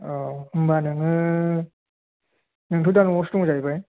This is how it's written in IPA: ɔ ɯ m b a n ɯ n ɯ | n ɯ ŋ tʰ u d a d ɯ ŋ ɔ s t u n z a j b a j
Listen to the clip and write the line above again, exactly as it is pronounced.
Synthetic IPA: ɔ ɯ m b a n ɯ ŋ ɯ | n ɯ ŋ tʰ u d a n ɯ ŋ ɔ s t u ŋ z a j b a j